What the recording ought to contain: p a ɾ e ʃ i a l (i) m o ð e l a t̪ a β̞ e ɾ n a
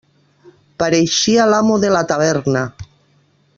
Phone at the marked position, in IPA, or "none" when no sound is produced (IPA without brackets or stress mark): a